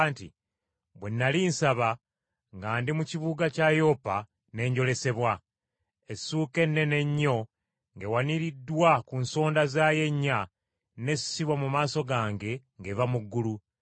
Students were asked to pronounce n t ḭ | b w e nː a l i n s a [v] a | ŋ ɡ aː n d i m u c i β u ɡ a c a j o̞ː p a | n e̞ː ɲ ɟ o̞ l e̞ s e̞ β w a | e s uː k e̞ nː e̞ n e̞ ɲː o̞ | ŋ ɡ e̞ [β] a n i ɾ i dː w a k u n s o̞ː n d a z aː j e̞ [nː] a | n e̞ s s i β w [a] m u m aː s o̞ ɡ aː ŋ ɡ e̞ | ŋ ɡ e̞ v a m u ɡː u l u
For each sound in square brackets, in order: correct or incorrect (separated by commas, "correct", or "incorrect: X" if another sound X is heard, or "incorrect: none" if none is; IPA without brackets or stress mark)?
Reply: incorrect: β, incorrect: w, incorrect: ɲː, correct